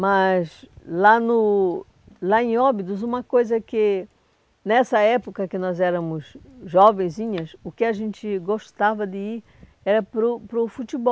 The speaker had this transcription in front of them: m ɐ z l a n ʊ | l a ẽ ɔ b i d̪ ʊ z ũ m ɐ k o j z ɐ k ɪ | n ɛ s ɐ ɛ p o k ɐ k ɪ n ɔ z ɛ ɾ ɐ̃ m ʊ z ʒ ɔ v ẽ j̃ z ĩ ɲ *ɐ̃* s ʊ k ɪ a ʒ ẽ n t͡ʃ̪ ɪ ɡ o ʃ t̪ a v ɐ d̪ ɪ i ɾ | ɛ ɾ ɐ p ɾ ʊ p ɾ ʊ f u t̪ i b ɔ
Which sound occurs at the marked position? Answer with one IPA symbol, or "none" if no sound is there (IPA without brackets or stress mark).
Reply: ɐ